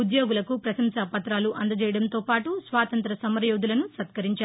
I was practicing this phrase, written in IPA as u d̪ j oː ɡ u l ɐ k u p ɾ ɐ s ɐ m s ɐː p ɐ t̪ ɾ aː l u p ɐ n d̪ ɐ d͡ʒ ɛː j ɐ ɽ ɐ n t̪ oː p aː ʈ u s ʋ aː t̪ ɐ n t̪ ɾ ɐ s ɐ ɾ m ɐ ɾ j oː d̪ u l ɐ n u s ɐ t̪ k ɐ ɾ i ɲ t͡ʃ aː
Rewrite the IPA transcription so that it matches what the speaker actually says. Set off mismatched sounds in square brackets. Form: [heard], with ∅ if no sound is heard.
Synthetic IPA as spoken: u d̪ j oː ɡ u l ɐ k u p ɾ ɐ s ɐ m s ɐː p ɐ t̪ ɾ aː l u [ʔ] ɐ n d̪ ɐ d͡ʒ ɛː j ɐ ɽ ɐ n t̪ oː p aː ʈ u s ʋ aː t̪ ɐ n t̪ ɾ ɐ s ɐ [∅] m ɐ ɾ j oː d̪ u l ɐ n u s ɐ t̪ k ɐ ɾ i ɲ t͡ʃ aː